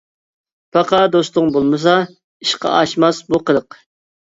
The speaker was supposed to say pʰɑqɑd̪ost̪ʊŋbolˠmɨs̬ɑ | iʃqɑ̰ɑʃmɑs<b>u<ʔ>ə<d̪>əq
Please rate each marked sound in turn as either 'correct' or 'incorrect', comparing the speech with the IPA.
correct, incorrect: q, correct

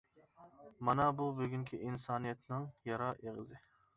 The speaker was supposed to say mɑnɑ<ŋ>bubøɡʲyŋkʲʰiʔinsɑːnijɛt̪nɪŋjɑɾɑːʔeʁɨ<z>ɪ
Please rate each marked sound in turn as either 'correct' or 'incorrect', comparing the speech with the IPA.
incorrect: none, correct

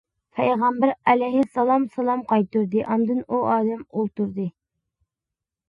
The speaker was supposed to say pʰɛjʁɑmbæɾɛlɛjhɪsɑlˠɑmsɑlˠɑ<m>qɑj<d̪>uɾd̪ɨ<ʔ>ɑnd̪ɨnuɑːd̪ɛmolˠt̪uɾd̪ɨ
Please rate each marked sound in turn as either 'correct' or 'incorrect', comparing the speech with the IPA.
correct, incorrect: t̪, correct

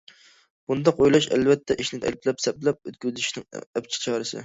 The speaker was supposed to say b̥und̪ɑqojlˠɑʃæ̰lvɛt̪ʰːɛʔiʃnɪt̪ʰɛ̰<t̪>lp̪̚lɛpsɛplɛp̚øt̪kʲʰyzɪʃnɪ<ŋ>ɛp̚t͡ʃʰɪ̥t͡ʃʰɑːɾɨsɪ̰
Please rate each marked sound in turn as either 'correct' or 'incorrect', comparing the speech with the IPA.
incorrect: none, correct

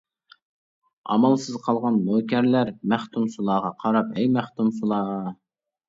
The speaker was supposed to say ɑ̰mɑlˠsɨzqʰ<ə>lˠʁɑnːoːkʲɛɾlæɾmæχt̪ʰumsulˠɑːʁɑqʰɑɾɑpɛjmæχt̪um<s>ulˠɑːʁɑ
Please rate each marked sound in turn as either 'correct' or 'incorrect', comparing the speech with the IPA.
incorrect: ɑ, correct

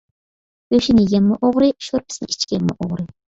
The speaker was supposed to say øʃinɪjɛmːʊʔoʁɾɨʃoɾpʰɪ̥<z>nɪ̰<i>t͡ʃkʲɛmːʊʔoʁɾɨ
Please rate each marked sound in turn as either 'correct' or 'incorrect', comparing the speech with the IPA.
incorrect: s, correct

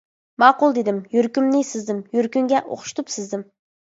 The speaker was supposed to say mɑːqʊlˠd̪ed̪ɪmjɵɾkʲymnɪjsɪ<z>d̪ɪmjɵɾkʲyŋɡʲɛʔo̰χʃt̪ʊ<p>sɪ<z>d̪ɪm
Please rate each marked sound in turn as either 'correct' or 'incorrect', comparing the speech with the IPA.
correct, correct, correct

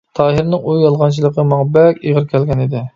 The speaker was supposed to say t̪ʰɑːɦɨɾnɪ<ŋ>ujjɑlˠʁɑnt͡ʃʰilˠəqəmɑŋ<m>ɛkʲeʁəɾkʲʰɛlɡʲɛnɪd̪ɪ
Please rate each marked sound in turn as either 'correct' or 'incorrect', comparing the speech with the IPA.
correct, incorrect: b

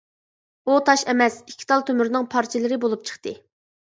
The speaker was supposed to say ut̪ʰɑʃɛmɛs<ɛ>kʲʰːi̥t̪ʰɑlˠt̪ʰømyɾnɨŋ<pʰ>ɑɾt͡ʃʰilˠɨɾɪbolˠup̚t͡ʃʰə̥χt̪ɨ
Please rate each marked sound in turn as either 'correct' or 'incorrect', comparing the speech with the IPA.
incorrect: i, correct

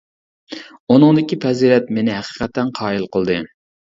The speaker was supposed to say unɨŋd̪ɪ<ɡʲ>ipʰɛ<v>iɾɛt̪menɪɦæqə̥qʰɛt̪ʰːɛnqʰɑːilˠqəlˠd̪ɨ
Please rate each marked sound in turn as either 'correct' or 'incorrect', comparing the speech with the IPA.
incorrect: kʲ, incorrect: z

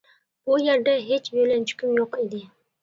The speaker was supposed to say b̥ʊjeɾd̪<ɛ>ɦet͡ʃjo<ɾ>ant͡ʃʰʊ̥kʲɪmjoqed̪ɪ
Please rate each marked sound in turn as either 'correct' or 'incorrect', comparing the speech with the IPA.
incorrect: a, incorrect: l

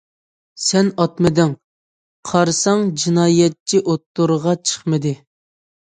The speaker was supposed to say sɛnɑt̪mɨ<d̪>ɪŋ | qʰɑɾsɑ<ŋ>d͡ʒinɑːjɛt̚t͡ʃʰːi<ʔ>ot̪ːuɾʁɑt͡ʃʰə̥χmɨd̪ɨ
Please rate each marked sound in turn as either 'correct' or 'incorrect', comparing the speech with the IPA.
correct, correct, correct

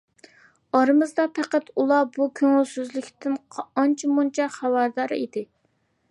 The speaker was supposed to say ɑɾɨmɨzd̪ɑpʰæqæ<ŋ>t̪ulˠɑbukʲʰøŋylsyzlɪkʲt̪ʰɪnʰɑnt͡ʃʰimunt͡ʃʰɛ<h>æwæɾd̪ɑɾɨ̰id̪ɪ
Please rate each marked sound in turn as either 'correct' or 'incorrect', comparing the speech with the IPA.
incorrect: none, incorrect: χ

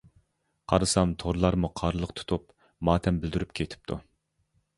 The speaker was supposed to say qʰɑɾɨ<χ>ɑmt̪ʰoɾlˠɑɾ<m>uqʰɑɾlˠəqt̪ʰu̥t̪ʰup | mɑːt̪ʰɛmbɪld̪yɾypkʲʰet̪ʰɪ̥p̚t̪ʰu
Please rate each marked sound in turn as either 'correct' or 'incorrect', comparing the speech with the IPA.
incorrect: s, correct

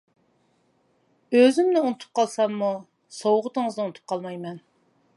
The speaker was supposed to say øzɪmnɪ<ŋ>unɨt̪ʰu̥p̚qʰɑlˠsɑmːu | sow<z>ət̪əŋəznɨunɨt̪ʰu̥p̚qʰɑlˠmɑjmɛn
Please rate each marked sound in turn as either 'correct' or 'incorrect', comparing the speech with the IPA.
incorrect: none, incorrect: ʁ

